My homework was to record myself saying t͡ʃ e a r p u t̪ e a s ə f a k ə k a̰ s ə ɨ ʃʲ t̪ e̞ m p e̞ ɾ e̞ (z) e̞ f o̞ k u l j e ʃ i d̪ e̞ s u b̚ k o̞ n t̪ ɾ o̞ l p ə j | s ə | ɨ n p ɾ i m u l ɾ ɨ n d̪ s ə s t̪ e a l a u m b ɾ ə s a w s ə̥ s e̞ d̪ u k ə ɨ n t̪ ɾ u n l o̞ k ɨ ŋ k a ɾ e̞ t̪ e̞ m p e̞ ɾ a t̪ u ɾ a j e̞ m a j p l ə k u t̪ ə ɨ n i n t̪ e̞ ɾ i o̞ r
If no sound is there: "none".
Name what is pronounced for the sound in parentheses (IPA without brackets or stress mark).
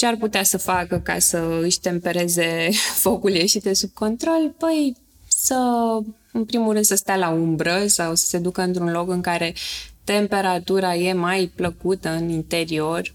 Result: z